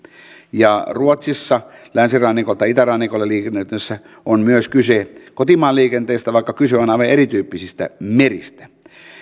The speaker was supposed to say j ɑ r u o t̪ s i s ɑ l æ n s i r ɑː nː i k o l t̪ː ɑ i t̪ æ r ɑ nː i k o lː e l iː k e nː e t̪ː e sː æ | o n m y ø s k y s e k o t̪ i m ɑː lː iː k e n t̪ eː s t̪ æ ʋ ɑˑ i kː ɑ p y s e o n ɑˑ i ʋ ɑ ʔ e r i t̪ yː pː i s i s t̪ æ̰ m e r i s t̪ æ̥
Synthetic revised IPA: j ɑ r u o t̪ s i sː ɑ l æ n s i r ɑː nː i k o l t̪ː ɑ i t̪ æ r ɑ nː i k o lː e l iː k e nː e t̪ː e sː æ | o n m y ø s k y s e k o t̪ i m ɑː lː iː k e n t̪ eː s t̪ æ ʋ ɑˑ i kː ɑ k y s e o n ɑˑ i ʋ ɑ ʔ e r i t̪ yː pː i s i s t̪ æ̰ m e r i s t̪ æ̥